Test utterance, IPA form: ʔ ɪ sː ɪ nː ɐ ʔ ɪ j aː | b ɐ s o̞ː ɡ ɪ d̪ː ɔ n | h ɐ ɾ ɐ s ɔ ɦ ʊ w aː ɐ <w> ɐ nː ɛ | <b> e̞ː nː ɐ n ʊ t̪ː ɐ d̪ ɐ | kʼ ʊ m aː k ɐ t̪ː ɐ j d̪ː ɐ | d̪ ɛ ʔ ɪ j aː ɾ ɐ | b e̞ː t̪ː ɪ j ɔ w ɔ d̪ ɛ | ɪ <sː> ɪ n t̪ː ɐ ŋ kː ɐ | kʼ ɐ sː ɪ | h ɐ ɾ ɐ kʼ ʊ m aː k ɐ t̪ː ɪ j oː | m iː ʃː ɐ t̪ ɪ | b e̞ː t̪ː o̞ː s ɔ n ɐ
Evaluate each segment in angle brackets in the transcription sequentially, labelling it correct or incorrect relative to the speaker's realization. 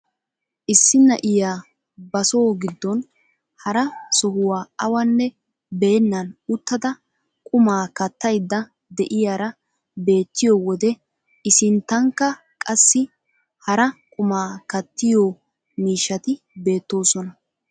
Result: correct, correct, incorrect: s

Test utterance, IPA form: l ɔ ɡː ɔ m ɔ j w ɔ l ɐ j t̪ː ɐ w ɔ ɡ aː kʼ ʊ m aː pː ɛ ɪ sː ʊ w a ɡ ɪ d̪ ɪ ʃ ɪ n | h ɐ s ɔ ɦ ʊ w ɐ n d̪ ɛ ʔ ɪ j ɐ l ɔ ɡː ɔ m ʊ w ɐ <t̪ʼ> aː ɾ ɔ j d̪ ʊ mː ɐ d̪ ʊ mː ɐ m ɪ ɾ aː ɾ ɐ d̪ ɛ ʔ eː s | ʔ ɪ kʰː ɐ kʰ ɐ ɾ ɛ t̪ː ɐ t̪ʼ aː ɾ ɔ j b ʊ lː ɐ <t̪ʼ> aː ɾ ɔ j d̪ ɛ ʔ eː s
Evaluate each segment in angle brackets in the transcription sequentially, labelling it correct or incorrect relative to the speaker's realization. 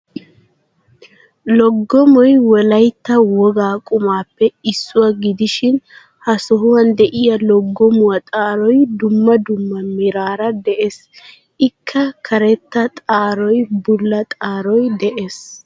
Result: correct, correct

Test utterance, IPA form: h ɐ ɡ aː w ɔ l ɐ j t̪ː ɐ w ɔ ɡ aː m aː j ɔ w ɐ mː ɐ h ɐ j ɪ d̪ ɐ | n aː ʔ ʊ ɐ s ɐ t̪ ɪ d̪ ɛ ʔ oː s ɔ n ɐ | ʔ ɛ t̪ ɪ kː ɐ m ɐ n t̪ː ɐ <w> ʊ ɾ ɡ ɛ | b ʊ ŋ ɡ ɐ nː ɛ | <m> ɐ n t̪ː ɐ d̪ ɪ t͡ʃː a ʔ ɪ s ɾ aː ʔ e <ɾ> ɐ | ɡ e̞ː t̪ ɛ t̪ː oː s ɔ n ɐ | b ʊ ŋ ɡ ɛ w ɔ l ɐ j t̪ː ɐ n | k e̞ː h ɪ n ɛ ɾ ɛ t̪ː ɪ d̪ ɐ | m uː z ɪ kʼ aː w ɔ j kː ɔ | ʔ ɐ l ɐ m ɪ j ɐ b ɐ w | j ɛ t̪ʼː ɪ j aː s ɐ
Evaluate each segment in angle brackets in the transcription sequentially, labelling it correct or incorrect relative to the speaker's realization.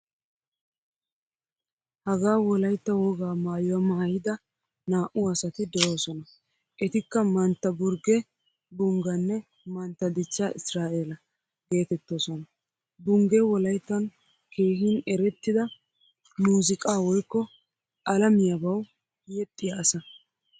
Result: incorrect: b, correct, incorrect: l

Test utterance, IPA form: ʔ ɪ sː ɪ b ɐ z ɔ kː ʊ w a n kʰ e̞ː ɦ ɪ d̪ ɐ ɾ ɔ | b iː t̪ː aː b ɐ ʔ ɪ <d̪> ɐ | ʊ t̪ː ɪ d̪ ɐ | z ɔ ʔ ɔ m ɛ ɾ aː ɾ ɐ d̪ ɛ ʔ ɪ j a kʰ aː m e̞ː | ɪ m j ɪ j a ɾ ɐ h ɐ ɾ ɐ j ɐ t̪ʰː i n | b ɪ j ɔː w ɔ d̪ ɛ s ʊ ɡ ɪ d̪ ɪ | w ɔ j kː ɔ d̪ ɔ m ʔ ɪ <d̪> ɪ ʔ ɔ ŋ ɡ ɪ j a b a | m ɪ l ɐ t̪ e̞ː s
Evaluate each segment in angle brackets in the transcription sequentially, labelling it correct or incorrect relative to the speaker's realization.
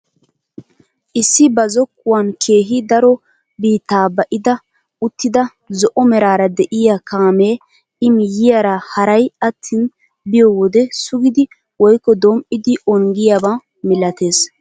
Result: correct, correct

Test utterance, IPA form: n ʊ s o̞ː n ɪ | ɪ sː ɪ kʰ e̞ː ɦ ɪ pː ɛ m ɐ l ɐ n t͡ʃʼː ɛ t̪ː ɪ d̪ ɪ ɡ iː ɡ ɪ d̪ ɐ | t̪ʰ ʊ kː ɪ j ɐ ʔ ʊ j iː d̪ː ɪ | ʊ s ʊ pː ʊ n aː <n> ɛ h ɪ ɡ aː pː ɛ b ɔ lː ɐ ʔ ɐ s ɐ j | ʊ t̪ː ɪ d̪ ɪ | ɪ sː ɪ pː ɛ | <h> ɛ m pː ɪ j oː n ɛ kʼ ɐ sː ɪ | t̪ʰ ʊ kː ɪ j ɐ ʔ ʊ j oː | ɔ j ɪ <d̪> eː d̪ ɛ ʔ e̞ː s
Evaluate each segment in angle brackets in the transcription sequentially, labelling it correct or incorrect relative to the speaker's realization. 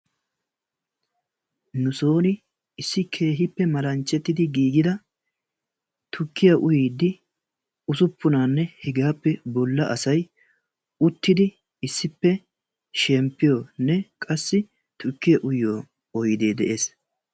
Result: incorrect: nː, incorrect: ʃ, correct

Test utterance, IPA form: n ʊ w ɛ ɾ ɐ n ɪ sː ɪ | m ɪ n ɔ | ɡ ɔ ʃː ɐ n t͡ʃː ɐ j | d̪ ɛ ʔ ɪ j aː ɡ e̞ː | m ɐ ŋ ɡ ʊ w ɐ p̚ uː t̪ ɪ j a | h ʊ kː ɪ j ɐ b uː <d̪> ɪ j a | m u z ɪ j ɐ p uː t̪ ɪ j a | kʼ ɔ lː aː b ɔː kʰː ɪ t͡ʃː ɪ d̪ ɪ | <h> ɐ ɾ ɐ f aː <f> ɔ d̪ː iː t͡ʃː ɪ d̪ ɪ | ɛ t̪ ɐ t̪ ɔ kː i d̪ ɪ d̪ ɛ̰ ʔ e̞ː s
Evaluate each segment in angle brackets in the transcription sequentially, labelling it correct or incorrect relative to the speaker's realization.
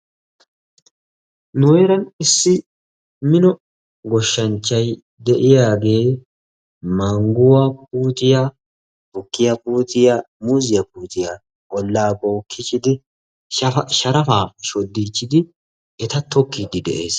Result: incorrect: t̪, incorrect: ʃ, incorrect: ʃ

